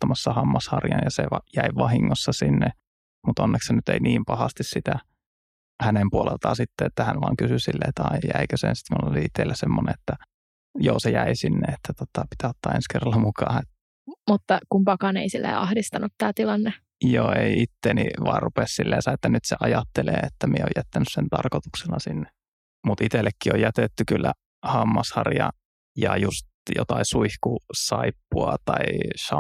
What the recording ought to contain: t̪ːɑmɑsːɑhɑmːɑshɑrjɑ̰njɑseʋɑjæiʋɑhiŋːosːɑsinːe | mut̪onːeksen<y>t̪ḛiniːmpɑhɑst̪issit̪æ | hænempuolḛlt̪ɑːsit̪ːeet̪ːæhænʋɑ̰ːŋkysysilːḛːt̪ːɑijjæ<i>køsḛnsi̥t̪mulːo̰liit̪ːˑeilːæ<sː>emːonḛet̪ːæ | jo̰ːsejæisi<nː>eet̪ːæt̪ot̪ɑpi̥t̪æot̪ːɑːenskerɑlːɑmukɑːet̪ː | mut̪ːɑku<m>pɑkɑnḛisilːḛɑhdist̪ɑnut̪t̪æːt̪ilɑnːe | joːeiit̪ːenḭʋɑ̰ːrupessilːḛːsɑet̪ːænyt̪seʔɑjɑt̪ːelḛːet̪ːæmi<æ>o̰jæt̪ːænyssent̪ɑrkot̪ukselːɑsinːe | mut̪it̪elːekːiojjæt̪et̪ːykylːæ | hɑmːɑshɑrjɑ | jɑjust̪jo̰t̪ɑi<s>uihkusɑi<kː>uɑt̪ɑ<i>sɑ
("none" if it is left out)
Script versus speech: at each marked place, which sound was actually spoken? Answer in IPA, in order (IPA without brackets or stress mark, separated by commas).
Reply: y, i, s, nː, m, e, s, pː, i